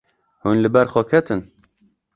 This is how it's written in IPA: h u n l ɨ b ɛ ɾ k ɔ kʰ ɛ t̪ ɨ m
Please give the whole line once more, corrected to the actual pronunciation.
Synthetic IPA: h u n l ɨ b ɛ ɾ x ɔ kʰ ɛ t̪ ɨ n